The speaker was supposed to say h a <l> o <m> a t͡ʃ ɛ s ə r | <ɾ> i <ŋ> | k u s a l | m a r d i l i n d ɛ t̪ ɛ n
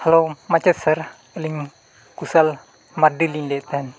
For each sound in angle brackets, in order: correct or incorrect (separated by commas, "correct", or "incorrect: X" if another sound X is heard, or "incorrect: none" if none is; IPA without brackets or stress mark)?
correct, correct, incorrect: l, correct